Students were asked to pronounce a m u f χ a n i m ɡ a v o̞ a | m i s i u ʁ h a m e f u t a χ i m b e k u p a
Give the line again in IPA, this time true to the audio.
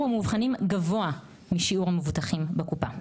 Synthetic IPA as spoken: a m u v χ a n i m ɡ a v o̞ a | m i ʃ i u ʁ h a m e v u t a χ i m b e k u p a